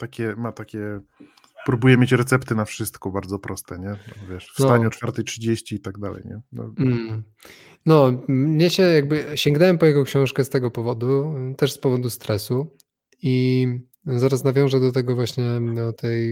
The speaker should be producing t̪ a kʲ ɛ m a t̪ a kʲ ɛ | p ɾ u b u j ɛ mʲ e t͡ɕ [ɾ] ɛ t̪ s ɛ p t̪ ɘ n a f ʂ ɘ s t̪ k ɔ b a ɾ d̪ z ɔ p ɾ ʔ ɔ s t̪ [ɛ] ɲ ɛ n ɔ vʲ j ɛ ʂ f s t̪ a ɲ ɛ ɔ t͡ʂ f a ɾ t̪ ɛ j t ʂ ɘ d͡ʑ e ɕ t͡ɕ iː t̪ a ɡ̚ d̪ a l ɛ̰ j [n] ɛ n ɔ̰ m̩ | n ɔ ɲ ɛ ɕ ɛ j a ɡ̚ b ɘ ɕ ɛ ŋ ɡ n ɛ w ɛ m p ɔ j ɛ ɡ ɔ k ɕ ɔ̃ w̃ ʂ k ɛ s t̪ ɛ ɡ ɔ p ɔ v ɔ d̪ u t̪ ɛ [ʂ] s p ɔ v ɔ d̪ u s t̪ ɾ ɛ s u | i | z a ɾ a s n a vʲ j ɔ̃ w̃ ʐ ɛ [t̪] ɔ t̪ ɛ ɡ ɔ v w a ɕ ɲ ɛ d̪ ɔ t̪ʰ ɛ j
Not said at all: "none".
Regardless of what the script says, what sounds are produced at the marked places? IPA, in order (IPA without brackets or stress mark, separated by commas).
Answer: ɾ, ɛ, ɲ, ʂ, d̪